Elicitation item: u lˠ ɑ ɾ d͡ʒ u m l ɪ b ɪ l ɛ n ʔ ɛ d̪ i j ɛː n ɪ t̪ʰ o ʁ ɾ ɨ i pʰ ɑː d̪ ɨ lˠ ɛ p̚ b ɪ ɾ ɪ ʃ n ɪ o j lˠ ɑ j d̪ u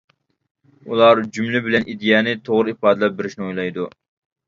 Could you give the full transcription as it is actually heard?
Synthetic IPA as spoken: u lˠ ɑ ɾ d͡ʒ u m l ɪ b ɪ l ɛ n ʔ i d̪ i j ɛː n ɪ t̪ʰ o ʁ ɾ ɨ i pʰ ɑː d̪ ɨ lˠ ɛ p̚ b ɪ ɾ ɪ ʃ n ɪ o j lˠ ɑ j d̪ u